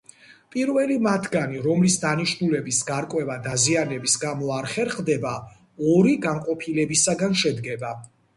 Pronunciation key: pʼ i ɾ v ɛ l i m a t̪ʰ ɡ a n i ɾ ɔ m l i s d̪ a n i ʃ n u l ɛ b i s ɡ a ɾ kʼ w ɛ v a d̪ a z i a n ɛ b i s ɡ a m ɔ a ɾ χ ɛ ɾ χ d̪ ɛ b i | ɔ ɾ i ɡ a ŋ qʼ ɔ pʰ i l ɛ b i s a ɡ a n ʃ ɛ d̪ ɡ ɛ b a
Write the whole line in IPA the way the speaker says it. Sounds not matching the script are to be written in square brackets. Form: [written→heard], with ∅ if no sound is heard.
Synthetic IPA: pʼ i ɾ v ɛ l i m a t̪ʰ ɡ a n i ɾ ɔ m l i s d̪ a n i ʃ n u l ɛ b i s ɡ a ɾ kʼ w ɛ v a d̪ a z i a n ɛ b i s ɡ a m ɔ a ɾ χ ɛ ɾ χ d̪ ɛ b [i→a] | ɔ ɾ i ɡ a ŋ qʼ ɔ pʰ i l ɛ b i s a ɡ a n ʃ ɛ d̪ ɡ ɛ b a